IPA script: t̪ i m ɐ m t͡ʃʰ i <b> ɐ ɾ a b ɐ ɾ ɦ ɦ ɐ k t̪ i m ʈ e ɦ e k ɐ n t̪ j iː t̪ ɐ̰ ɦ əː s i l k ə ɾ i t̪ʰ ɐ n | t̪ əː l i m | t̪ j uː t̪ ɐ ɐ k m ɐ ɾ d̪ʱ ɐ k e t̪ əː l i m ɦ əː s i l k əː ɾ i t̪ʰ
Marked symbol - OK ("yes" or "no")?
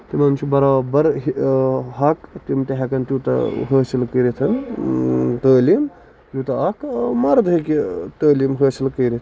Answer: yes